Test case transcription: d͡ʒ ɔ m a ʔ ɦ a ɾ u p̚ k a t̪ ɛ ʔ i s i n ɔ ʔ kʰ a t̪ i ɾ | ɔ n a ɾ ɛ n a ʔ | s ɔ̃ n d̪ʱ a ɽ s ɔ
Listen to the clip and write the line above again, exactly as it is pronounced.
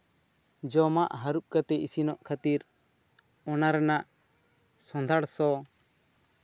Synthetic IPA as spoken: d͡ʒ ɔ m a ʔ ɦ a ɾ u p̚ k a t̪ ɛ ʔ i s i n ɔ ʔ kʰ a t̪ i ɾ | ɔ n a ɾ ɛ n a ʔ | s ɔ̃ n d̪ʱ a ɽ s ɔ